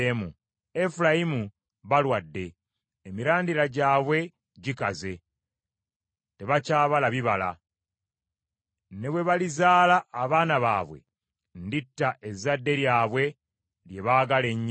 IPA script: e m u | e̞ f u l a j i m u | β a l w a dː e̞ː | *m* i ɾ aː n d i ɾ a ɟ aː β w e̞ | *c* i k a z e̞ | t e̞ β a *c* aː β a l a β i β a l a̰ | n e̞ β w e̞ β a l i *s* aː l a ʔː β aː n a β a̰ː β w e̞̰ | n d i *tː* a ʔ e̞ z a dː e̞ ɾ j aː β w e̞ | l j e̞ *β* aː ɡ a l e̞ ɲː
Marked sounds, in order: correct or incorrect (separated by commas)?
correct, incorrect, correct, incorrect, correct, correct